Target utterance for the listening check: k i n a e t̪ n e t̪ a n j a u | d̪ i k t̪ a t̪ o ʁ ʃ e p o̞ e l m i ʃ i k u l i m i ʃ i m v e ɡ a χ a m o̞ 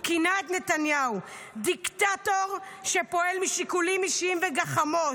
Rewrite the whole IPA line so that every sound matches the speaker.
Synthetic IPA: k i n a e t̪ n e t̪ a n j a u | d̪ i k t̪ a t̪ o ʁ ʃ e p o̞ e l m i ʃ i k u l i m i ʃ i m v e ɡ a χ a m o̞